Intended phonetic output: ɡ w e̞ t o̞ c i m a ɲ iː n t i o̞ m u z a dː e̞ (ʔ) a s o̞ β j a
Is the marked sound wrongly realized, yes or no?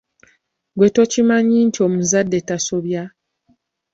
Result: yes